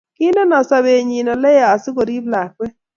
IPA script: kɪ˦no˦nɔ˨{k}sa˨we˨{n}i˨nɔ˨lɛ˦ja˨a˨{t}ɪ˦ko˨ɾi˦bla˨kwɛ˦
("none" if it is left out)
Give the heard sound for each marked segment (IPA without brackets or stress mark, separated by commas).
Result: none, ɲ, s